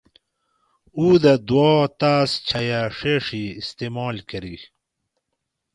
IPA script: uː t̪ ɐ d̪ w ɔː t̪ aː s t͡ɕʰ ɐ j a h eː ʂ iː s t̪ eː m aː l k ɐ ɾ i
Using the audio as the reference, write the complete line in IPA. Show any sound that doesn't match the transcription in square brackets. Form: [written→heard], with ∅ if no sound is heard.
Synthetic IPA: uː [t̪→d̪] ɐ d̪ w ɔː t̪ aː s t͡ɕʰ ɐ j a [h→ʂ] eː ʂ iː s t̪ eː m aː l k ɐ ɾ i